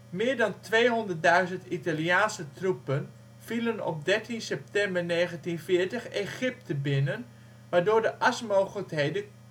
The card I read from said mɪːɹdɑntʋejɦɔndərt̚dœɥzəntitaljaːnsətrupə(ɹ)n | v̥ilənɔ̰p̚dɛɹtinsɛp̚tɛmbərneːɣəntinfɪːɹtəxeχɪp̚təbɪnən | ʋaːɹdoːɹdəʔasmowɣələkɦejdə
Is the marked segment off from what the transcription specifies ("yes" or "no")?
yes